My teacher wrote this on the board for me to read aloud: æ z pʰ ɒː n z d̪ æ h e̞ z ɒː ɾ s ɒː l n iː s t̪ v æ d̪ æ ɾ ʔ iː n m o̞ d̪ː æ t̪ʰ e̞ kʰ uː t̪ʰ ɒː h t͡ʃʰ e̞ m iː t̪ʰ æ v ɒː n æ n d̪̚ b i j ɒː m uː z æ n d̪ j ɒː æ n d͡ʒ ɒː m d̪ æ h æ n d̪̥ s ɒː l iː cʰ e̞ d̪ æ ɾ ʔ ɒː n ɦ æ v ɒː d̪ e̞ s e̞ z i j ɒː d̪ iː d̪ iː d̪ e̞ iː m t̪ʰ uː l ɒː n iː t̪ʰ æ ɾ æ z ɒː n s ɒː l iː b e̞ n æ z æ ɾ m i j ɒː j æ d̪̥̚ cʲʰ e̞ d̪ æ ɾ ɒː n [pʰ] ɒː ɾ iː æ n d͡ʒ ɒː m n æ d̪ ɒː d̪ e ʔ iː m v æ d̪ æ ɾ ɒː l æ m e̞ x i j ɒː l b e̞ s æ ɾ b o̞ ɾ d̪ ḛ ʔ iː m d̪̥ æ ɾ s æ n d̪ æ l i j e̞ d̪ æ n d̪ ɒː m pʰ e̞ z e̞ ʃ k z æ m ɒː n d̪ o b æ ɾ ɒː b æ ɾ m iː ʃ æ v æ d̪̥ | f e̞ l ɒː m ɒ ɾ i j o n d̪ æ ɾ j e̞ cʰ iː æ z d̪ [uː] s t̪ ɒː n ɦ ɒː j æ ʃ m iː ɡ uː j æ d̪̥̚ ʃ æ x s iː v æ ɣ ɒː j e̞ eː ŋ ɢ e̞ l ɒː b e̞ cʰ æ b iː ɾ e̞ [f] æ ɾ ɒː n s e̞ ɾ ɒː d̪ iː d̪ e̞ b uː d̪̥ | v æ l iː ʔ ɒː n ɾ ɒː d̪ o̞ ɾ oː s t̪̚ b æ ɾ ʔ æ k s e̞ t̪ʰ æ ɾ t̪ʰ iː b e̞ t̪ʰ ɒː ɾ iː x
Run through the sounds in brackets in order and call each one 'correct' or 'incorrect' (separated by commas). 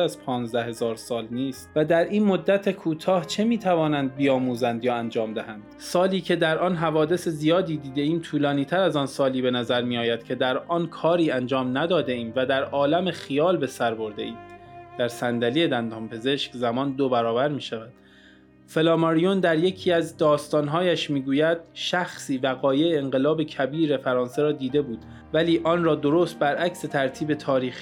incorrect, incorrect, correct